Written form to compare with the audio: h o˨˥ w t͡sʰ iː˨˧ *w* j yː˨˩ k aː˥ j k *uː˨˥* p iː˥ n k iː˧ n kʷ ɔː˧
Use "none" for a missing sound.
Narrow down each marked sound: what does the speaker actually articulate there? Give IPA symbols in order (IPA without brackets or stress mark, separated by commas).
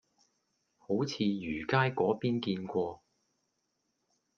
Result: none, ɔː˨˥